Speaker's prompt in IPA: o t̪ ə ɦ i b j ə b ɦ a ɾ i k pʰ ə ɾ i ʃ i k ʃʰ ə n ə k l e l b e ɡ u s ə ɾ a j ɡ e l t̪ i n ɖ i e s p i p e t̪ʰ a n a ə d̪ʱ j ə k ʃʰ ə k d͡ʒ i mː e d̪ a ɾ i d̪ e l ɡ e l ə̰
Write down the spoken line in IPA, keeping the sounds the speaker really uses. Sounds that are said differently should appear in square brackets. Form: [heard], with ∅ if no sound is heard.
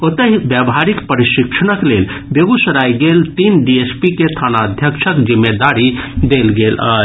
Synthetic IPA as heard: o t̪ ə ɦ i b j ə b ɦ a ɾ i k [p] ə ɾ i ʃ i k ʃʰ ə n ə k l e l b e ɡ u s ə ɾ a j ɡ e l t̪ i n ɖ i e s p i [k] e t̪ʰ a n a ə d̪ʱ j ə k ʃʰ ə k d͡ʒ i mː e d̪ a ɾ i d̪ e l ɡ e l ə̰